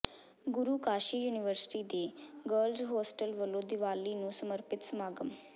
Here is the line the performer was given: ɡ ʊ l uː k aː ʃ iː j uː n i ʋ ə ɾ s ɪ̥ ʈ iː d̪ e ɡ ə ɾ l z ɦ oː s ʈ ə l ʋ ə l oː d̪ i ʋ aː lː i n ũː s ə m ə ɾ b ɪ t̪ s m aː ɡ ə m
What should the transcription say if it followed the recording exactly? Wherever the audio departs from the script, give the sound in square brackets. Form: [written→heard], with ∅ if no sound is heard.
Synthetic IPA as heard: ɡ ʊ [l→ɾ] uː k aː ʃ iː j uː n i ʋ ə ɾ s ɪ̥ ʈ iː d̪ e ɡ ə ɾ l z ɦ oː s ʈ ə l ʋ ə l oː d̪ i ʋ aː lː i n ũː s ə m ə ɾ [b→p] ɪ t̪ s m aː ɡ ə m

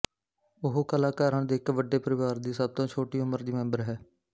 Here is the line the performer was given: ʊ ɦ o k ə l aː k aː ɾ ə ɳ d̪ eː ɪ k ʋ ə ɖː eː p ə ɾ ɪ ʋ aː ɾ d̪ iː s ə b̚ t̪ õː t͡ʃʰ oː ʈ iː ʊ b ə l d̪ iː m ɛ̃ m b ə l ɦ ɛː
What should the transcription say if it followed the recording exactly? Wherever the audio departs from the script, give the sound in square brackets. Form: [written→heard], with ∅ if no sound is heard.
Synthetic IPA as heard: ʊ ɦ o k ə l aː k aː ɾ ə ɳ d̪ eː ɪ k ʋ ə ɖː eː p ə ɾ ɪ ʋ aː ɾ d̪ iː s ə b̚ t̪ õː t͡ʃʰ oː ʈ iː ʊ [b→m] ə [l→ɾ] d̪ iː m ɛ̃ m b ə [l→ɾ] ɦ ɛː

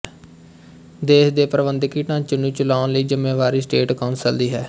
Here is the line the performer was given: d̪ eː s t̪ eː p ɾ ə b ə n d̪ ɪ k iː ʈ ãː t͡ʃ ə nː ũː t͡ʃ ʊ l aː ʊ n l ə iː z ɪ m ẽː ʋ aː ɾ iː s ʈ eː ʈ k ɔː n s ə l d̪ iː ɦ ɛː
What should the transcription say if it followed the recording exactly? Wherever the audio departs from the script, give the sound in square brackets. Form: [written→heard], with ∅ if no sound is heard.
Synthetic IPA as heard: d̪ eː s [t̪→d̪] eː p ɾ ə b ə n d̪ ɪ k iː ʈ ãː t͡ʃ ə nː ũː t͡ʃ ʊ l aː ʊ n l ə iː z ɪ m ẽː ʋ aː ɾ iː s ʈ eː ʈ k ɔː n s ə l d̪ iː ɦ ɛː

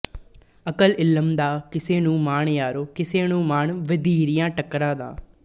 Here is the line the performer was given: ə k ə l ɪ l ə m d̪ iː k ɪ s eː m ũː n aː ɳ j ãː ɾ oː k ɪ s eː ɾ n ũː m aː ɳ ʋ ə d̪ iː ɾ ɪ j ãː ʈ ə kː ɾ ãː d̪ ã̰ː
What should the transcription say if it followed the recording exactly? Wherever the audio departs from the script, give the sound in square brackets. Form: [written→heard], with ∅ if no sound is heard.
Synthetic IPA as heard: ə k ə l ɪ l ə m d̪ [iː→aː] k ɪ s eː [m→n] ũː [n→m] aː ɳ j [ãː→aː] ɾ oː k ɪ s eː [ɾ→∅] n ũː m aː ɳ ʋ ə d̪ iː ɾ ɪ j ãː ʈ ə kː ɾ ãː d̪ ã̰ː

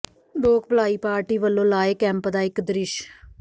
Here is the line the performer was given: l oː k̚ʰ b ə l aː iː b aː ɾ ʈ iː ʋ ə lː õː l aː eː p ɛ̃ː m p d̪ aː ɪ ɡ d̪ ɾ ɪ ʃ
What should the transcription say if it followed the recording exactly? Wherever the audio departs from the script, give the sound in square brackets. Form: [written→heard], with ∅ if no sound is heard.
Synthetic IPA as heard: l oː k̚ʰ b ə l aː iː [b→p] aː ɾ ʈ iː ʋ ə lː õː l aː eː [p→k] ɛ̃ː m p d̪ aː ɪ [ɡ→k] d̪ ɾ ɪ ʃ

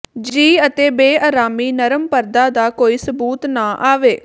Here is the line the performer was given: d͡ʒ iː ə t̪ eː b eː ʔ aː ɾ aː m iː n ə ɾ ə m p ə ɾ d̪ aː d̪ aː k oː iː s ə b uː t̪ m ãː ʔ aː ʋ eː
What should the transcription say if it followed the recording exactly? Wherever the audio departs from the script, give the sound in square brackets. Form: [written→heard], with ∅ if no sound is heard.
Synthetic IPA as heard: d͡ʒ iː ə t̪ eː b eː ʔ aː ɾ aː m iː n ə ɾ ə m p ə ɾ d̪ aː d̪ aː k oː iː s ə b uː t̪ [m→n] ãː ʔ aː ʋ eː

